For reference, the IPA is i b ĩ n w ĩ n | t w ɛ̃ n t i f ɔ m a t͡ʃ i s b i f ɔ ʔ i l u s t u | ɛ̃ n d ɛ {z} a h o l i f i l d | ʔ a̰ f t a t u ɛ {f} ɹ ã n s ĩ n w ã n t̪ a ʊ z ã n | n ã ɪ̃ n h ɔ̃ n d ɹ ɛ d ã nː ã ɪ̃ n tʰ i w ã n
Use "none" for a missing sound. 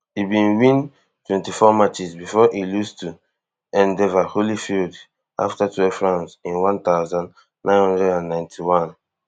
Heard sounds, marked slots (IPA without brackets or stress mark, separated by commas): v, f